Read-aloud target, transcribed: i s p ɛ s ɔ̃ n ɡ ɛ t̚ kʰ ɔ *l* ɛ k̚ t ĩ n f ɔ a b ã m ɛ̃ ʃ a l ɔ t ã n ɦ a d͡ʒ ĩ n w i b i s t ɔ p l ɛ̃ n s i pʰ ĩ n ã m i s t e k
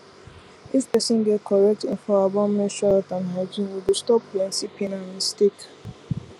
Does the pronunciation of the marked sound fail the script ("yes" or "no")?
yes